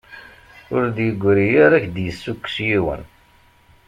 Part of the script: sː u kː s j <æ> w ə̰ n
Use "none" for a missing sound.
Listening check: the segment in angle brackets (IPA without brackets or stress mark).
i